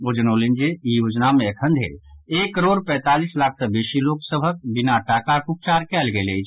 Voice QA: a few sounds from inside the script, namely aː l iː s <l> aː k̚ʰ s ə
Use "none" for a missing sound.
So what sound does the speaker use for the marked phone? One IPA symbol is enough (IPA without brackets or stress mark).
l